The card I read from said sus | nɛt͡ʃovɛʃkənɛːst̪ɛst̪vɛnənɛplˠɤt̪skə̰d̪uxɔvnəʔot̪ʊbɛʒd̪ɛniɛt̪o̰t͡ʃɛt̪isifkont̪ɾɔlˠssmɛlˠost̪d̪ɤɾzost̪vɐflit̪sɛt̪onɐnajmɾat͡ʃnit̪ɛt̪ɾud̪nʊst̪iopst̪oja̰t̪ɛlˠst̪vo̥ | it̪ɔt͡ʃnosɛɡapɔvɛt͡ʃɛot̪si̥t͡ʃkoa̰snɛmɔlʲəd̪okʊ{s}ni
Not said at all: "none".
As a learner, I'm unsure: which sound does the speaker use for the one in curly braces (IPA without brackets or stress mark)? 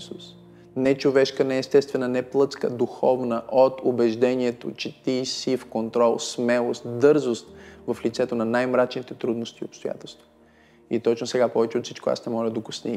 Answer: s